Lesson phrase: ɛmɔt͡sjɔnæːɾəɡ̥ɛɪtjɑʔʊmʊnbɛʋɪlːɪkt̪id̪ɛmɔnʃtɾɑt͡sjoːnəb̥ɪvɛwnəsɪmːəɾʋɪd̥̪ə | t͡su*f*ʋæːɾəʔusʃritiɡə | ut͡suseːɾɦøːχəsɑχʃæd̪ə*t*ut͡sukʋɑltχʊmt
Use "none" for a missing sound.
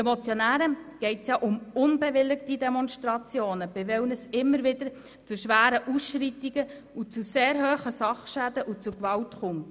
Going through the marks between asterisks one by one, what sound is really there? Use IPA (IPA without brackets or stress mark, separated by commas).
ʃ, ʔ